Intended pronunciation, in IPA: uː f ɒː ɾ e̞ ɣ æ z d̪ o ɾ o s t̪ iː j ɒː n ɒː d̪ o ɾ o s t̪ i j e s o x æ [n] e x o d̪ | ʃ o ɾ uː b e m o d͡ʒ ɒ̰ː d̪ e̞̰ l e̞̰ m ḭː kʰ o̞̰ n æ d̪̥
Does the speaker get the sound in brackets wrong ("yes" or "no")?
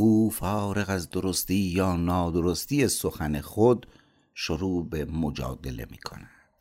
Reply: no